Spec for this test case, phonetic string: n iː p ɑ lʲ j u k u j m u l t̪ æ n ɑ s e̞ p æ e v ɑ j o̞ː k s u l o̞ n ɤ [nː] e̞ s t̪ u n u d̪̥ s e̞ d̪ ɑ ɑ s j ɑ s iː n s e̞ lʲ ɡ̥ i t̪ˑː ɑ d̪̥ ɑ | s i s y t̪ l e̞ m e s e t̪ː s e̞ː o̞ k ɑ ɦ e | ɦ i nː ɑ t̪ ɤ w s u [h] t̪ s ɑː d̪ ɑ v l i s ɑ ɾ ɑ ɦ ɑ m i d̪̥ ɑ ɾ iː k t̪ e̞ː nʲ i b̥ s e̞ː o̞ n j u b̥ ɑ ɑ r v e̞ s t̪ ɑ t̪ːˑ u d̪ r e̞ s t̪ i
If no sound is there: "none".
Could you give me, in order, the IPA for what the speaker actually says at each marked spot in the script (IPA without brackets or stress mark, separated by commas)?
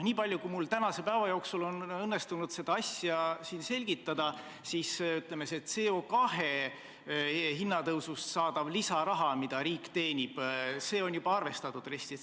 nː, s